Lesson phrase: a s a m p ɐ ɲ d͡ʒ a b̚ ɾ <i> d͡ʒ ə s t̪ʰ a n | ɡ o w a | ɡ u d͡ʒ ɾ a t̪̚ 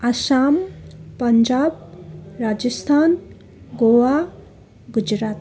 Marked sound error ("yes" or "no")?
yes